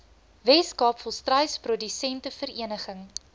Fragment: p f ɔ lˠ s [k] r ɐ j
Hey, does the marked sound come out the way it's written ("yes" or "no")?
no